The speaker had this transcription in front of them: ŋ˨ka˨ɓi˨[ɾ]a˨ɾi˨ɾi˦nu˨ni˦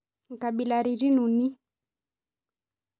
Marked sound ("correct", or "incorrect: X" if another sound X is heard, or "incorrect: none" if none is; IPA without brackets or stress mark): incorrect: l